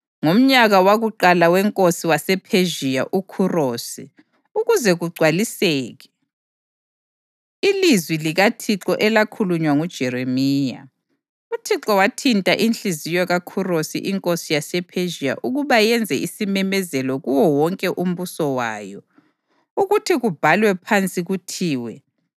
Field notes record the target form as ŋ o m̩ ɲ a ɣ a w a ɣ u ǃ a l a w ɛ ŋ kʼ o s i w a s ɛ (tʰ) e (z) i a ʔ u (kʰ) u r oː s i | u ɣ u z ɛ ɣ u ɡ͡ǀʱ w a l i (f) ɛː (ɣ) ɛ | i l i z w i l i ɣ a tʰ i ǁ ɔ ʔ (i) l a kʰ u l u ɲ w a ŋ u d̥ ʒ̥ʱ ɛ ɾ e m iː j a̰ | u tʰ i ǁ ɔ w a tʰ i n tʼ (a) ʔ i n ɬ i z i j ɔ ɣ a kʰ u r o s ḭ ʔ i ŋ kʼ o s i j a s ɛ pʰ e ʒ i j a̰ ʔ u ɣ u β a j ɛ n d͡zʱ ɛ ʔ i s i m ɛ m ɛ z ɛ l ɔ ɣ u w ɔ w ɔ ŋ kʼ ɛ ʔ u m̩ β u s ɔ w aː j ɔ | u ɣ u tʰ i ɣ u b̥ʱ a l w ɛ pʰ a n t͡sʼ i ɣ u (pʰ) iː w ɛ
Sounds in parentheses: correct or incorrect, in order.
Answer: incorrect, incorrect, correct, incorrect, correct, incorrect, correct, incorrect

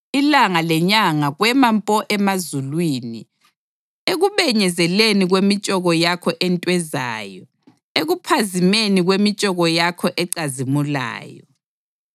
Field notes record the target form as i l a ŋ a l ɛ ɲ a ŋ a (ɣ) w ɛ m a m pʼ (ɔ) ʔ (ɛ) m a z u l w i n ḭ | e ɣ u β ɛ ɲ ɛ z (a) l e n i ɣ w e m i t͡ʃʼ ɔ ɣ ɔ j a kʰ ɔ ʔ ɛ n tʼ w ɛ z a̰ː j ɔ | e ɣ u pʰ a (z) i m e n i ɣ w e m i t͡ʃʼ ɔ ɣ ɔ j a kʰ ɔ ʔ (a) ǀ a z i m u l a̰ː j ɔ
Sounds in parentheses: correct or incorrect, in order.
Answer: correct, correct, correct, incorrect, correct, incorrect

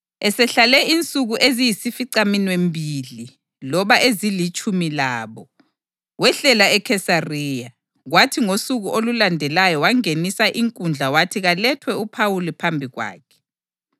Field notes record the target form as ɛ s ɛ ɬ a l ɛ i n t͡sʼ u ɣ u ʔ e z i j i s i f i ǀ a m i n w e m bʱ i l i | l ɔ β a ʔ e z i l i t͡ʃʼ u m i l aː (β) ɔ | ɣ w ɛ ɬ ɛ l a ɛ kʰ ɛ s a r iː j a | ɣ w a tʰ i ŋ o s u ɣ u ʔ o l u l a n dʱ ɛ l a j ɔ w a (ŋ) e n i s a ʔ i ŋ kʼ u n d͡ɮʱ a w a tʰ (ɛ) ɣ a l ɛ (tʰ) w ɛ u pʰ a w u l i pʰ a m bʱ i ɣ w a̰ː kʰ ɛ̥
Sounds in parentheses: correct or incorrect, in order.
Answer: correct, correct, incorrect, correct

